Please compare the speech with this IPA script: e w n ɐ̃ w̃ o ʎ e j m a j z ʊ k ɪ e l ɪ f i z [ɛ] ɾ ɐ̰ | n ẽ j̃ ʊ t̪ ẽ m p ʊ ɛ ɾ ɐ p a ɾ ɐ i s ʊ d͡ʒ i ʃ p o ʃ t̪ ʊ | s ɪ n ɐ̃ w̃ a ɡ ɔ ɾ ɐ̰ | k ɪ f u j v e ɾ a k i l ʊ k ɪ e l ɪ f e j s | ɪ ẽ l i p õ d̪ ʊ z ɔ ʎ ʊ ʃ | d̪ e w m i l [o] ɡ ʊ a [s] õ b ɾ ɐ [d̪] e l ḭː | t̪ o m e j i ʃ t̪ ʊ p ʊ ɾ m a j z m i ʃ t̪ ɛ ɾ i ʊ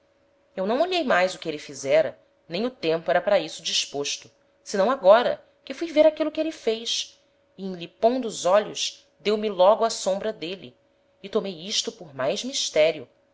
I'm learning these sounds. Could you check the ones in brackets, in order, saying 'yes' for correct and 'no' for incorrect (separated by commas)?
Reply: yes, no, yes, yes